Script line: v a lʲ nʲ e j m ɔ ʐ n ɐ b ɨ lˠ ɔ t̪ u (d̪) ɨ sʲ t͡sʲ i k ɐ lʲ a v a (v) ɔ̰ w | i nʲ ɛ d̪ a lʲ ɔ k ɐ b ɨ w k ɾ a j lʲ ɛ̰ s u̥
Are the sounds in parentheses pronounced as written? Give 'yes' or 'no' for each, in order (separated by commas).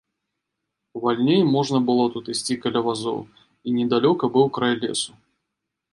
no, no